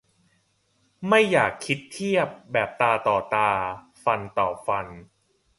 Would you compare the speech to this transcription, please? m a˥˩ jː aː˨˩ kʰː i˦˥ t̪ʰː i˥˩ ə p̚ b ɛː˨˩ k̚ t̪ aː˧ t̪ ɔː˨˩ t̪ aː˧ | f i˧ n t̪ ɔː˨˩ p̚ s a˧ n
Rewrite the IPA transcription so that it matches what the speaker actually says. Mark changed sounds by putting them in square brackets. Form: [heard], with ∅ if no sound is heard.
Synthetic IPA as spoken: m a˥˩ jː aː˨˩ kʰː i˦˥ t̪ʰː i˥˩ ə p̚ b ɛː˨˩ [p̚] t̪ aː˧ t̪ ɔː˨˩ t̪ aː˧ | f [a˧] n t̪ ɔː˨˩ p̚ [f] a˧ n